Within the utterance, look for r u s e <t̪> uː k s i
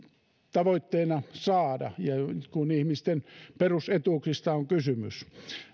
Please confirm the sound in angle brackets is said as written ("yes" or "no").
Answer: yes